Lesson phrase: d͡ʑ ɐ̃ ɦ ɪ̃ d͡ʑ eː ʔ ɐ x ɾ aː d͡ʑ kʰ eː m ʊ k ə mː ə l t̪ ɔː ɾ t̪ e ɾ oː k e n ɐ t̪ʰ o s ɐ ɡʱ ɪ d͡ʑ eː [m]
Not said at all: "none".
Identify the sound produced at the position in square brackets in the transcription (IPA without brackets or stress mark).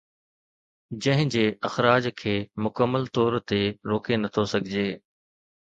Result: none